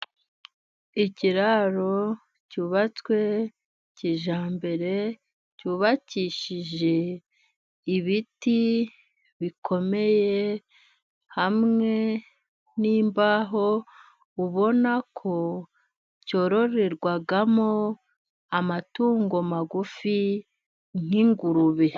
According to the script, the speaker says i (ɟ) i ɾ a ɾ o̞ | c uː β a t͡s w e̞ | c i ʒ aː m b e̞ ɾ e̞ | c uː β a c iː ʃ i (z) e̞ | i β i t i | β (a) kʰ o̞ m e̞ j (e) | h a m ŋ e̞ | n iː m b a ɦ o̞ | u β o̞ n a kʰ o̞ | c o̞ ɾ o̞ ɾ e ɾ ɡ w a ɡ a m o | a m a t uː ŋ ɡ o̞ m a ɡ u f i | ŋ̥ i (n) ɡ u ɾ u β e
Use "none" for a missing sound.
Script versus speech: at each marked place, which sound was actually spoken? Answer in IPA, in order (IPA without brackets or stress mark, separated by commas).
c, ʒ, i, e, ŋ